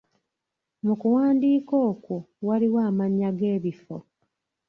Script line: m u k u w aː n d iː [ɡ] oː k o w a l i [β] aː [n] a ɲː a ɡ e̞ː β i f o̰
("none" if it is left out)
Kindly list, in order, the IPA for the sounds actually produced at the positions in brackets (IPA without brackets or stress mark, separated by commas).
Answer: k, w, m